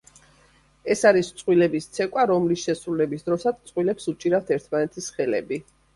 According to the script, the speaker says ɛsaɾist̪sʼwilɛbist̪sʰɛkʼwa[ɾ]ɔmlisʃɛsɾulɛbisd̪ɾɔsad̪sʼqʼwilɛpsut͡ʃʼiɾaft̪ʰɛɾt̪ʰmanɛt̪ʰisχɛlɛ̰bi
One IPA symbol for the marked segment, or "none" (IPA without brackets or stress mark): ɾ